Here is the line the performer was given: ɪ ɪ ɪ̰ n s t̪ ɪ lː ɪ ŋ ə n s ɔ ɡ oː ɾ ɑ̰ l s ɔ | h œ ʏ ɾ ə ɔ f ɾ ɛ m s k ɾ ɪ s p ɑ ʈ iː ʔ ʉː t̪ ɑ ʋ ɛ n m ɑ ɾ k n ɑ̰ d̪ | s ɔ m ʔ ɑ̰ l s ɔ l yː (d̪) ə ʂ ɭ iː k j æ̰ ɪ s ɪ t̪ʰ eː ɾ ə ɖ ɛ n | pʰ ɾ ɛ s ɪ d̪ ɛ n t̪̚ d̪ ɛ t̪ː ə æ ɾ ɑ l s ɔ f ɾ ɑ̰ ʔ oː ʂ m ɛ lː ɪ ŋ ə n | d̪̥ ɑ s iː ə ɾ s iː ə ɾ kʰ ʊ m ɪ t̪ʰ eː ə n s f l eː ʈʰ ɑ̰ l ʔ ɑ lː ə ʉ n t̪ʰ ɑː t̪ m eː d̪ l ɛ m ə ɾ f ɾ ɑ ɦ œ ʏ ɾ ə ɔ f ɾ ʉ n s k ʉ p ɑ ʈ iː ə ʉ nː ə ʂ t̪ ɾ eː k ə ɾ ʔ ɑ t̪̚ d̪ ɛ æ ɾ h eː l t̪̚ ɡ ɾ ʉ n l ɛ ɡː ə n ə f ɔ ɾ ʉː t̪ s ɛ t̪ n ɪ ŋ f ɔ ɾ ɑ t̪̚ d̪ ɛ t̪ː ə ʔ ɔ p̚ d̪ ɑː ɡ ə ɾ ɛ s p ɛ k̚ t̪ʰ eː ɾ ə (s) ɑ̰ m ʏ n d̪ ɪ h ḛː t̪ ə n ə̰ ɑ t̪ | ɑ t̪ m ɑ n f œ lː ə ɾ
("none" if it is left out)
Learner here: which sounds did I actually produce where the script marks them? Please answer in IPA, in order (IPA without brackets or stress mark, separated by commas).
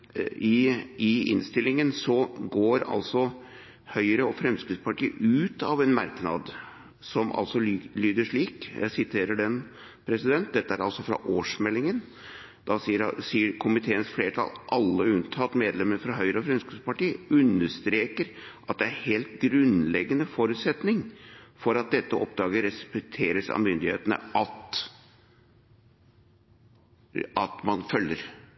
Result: d̪, s